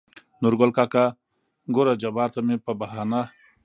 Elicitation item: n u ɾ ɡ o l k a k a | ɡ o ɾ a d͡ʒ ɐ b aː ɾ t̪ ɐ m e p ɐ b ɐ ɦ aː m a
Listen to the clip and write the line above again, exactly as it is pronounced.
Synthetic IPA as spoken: n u ɾ ɡ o l k a k a | ɡ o ɾ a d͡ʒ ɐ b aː ɾ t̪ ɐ m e p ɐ b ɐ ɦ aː n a